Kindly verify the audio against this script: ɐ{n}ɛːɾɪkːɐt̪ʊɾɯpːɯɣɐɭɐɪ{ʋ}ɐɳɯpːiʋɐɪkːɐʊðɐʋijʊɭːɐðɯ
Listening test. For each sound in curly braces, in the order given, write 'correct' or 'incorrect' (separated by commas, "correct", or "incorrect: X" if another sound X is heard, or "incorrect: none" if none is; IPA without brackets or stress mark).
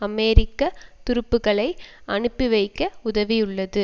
incorrect: m, incorrect: none